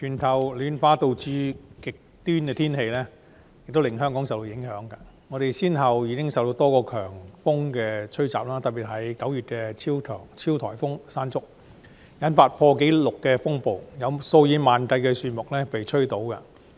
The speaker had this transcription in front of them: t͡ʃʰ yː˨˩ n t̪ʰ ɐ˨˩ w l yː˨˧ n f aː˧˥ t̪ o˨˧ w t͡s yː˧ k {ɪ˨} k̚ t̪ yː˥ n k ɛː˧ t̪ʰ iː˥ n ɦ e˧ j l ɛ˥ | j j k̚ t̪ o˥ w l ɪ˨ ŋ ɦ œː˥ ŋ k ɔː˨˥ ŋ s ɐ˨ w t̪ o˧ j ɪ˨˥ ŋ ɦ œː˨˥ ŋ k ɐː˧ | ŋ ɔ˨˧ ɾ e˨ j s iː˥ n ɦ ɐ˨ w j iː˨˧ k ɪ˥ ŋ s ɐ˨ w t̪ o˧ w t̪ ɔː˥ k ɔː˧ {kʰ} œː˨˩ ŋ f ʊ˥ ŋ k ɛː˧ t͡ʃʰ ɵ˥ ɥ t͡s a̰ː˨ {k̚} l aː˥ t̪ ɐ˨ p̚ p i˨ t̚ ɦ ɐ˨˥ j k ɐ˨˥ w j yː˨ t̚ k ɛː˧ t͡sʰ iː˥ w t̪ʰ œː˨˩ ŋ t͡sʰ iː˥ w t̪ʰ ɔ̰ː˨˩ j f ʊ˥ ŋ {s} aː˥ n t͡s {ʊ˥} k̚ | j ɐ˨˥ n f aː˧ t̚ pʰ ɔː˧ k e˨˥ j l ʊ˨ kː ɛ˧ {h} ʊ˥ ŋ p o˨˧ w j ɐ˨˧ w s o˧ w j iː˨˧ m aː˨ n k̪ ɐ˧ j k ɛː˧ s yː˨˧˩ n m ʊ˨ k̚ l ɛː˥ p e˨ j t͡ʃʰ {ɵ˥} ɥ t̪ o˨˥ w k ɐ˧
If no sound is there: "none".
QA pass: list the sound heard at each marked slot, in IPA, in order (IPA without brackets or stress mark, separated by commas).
ɪ˨, kʰ, p̚, s, ʊ˥, f, ɵ˥